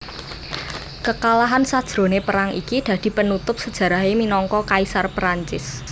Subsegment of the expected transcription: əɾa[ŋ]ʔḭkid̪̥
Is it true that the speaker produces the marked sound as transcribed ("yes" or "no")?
yes